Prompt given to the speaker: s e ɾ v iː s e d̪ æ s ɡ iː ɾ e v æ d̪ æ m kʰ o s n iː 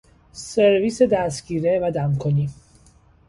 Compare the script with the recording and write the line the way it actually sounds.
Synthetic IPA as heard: s e ɾ v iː s e d̪ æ s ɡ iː ɾ e v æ d̪ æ m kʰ o n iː